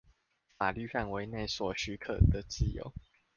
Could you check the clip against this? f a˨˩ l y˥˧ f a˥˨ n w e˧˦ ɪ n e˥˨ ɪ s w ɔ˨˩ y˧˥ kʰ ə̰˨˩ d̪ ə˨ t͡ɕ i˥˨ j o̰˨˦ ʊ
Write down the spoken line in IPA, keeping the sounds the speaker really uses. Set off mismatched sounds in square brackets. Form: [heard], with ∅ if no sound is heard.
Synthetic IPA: f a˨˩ l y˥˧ f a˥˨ n w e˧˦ ɪ n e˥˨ ɪ s w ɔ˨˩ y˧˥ kʰ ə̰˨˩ d̪ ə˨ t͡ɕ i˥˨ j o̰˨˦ ʊ

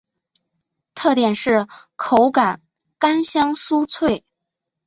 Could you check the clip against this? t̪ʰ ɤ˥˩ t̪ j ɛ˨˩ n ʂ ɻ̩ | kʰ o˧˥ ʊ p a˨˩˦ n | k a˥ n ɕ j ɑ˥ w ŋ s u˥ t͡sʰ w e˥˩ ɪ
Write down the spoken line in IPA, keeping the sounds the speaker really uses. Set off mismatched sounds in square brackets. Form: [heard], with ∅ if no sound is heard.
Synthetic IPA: t̪ʰ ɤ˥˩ t̪ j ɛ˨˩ n ʂ ɻ̩ | kʰ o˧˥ ʊ [k] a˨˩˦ n | k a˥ n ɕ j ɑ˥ [∅] ŋ s u˥ t͡sʰ w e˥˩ ɪ

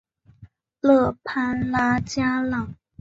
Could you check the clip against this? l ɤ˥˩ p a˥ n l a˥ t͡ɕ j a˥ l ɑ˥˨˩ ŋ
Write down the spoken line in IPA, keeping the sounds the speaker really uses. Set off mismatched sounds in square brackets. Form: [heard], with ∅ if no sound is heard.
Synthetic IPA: l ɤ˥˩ [pʰ] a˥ n l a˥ t͡ɕ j a˥ l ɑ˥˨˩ ŋ

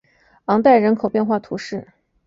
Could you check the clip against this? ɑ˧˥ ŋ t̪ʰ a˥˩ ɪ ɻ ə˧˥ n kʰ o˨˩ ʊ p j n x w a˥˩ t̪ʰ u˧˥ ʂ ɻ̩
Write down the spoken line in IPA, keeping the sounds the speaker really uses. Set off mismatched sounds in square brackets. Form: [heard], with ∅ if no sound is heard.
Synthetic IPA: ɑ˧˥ ŋ [t̪] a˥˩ ɪ ɻ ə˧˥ n kʰ o˨˩ ʊ p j n x w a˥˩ t̪ʰ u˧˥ ʂ ɻ̩

